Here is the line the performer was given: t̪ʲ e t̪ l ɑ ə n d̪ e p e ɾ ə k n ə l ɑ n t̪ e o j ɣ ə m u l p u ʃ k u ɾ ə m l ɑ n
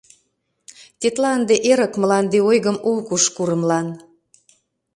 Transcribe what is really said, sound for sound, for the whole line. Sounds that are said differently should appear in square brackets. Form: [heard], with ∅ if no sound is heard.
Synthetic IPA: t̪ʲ e t̪ l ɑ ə n d̪ e [ʔ] e ɾ ə k [m] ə l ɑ n [d̪] e o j ɣ ə m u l [k] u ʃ k u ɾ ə m l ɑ n